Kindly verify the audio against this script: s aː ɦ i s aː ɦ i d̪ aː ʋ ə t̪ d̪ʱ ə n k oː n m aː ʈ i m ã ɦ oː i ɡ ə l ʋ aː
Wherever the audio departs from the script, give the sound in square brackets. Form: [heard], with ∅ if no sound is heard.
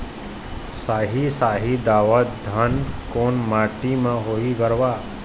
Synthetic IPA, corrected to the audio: s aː ɦ i s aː ɦ i d̪ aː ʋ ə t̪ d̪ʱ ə n k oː n m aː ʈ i m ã ɦ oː i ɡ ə [ɾ] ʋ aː